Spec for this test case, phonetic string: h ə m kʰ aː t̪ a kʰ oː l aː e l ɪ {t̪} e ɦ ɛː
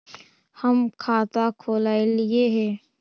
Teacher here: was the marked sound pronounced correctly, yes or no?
no